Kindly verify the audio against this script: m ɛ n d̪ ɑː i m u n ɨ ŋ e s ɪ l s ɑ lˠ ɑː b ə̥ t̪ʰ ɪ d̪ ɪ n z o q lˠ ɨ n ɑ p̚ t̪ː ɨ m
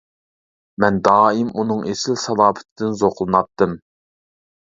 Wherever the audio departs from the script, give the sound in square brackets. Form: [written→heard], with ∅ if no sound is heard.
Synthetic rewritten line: m ɛ n d̪ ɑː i m u n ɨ ŋ e s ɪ l s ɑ lˠ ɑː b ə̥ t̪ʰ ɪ d̪ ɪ n z o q lˠ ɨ n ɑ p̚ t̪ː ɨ m